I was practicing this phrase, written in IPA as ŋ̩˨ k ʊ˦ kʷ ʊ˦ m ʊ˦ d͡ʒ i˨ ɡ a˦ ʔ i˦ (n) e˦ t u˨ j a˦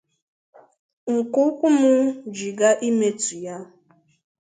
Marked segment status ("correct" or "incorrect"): incorrect